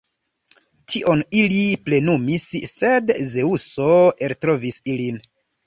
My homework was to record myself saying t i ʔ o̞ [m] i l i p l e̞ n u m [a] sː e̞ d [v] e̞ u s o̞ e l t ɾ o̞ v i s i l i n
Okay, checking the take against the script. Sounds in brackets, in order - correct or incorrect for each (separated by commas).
incorrect, incorrect, incorrect